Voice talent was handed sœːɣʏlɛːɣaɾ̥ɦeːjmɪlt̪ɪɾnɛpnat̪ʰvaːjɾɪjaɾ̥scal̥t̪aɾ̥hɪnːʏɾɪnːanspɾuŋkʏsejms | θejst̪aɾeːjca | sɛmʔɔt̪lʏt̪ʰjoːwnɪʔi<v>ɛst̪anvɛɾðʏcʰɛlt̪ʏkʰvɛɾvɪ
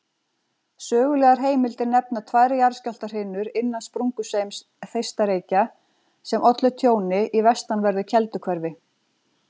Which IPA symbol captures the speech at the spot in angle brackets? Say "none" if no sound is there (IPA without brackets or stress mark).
v